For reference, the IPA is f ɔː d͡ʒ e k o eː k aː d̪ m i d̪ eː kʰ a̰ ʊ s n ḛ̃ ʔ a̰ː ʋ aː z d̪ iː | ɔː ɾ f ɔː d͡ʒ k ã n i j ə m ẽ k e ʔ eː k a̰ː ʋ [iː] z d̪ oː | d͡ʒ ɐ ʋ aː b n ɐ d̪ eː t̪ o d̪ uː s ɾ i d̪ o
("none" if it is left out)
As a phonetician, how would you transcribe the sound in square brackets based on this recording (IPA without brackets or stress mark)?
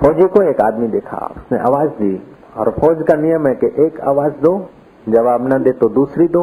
aː